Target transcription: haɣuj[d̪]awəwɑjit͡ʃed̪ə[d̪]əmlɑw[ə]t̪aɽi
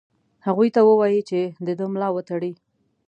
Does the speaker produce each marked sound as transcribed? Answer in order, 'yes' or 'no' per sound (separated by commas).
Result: no, yes, yes